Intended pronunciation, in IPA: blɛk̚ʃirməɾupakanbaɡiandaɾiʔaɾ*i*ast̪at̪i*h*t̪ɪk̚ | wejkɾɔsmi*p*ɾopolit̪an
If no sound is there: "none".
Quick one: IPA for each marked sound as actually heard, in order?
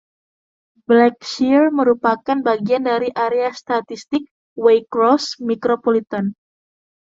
e, s, k

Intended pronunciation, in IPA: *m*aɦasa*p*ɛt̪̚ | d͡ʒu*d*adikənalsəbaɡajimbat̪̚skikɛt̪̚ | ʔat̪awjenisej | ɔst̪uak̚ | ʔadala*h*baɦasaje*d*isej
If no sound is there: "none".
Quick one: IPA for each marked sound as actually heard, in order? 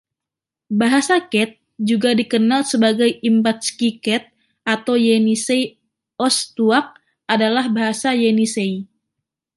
b, k, ɡ, h, n

